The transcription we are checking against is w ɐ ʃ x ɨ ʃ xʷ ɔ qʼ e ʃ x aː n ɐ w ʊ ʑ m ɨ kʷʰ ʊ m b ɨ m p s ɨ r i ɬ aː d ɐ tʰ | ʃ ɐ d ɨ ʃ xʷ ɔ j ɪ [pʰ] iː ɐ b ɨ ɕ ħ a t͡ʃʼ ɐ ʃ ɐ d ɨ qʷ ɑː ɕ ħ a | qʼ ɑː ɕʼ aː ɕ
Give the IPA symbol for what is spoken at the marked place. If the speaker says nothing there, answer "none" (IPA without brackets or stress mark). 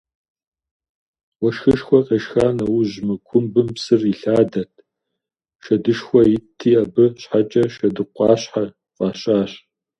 tʰ